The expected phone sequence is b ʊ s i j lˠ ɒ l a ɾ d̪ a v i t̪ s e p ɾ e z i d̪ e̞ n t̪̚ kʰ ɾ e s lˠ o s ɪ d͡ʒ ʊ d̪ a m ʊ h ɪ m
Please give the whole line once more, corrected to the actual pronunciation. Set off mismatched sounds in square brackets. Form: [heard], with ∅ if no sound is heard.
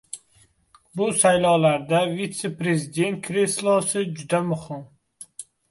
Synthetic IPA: b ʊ s [a] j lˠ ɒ l a ɾ d̪ a v i t̪ s e p ɾ e z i d̪ e̞ n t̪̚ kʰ ɾ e s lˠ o s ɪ d͡ʒ ʊ d̪ a m ʊ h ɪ m